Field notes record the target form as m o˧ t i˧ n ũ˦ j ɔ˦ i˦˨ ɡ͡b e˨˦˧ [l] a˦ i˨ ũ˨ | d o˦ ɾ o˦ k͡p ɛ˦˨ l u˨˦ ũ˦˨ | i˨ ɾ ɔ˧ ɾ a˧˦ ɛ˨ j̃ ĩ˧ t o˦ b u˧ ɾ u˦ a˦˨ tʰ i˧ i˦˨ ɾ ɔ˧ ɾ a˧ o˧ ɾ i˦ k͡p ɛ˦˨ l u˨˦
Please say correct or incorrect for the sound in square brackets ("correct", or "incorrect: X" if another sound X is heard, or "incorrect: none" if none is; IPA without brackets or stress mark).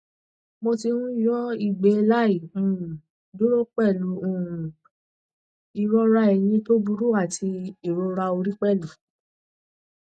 correct